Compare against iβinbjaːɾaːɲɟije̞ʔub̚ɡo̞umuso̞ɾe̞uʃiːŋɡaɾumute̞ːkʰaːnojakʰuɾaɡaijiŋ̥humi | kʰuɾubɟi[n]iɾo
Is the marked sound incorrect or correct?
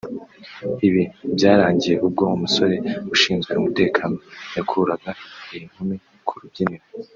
correct